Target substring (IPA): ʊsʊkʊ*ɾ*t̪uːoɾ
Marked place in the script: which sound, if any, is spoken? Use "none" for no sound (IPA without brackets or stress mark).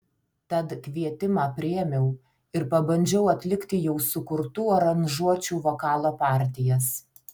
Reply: ɾ